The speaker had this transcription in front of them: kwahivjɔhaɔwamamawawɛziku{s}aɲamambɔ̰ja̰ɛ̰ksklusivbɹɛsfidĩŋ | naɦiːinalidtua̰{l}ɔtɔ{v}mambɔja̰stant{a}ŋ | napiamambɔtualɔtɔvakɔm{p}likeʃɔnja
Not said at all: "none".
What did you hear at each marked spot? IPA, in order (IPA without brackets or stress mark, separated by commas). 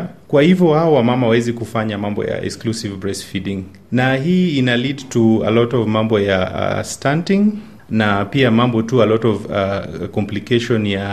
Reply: f, l, v, i, p